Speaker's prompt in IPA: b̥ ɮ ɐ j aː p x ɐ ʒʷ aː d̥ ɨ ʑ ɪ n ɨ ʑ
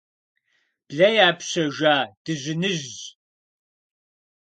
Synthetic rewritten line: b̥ ɮ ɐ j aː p ɕ ɐ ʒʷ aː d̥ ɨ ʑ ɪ n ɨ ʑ